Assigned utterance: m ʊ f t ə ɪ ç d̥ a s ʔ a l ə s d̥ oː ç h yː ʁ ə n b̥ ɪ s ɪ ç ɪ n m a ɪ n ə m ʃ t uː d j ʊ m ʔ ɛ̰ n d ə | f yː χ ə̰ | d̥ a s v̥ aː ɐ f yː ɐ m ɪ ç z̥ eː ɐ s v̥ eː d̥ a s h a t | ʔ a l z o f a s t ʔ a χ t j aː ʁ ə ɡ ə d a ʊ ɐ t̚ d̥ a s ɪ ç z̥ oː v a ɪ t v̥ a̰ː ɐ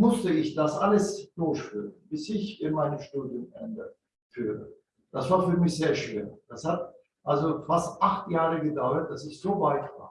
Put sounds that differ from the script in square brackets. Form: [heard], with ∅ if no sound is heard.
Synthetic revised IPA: m ʊ [s] t ə ɪ ç d̥ a s ʔ a l ə s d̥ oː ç [f] yː ʁ ə n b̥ ɪ s ɪ ç ɪ n m a ɪ n ə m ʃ t uː d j ʊ m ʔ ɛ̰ n d ə | f yː [ʁ] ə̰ | d̥ a s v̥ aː ɐ f yː ɐ m ɪ ç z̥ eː ɐ [ʃ] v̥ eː d̥ a s h a t | ʔ a l z o f a s t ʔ a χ t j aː ʁ ə ɡ ə d a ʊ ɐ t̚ d̥ a s ɪ ç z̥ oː v a ɪ t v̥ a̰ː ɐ